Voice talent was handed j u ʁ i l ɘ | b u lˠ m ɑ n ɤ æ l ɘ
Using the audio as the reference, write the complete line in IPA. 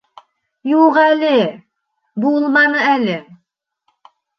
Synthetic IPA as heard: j u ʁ æ l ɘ | b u lˠ m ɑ n ɤ æ l ɘ